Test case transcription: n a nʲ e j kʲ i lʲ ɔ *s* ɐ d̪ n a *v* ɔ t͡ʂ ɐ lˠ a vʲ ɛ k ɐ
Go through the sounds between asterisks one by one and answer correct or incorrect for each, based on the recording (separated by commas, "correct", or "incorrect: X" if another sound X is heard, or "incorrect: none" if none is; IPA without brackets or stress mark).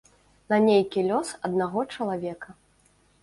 correct, incorrect: ɣ